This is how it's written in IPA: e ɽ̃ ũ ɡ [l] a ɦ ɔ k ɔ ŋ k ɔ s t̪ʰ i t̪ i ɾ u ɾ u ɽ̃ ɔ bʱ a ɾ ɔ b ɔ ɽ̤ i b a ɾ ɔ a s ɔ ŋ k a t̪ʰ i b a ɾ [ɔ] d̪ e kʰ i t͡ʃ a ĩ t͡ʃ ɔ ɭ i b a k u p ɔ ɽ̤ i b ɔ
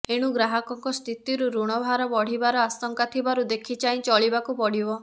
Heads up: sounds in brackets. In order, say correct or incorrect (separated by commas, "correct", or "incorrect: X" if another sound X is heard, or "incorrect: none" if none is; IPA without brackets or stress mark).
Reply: incorrect: ɾ, incorrect: u